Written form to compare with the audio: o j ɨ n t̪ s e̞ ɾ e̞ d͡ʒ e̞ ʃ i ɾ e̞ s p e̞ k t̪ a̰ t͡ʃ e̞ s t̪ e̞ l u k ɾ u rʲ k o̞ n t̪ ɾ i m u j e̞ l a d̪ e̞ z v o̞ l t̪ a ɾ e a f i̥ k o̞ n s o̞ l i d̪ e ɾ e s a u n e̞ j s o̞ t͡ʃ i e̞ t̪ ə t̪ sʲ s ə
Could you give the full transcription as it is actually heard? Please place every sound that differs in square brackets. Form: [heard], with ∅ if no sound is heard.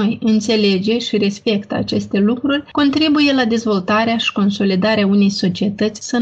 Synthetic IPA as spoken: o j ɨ n t̪ s e̞ [l] e̞ d͡ʒ e̞ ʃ i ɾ e̞ s p e̞ k t̪ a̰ t͡ʃ e̞ s t̪ e̞ l u k ɾ u rʲ k o̞ n t̪ ɾ i [b] u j e̞ l a d̪ e̞ z v o̞ l t̪ a ɾ e a [ʃ] i̥ k o̞ n s o̞ l i d̪ [a] ɾ e [∅] a u n e̞ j s o̞ t͡ʃ i e̞ t̪ ə t̪ sʲ s ə